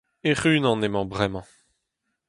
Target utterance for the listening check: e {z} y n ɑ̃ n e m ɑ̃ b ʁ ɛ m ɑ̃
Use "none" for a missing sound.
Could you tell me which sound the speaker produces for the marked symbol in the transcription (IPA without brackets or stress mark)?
ʁ